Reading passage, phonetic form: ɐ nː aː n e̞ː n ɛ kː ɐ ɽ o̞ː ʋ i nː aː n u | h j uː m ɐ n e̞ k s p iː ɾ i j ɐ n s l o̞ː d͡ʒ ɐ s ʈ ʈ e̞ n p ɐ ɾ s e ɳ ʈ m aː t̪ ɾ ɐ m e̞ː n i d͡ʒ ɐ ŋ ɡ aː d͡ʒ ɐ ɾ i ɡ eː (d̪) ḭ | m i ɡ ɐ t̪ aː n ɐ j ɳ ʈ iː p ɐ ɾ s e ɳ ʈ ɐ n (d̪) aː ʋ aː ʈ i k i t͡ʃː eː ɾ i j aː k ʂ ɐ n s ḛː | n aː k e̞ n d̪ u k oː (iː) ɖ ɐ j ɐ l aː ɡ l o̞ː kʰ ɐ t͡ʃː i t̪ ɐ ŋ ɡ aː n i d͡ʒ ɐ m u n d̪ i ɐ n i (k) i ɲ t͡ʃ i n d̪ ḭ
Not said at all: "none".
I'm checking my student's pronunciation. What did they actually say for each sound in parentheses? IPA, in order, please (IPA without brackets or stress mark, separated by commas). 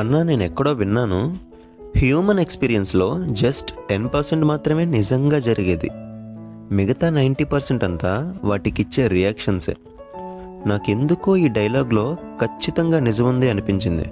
d̪, t̪, iː, p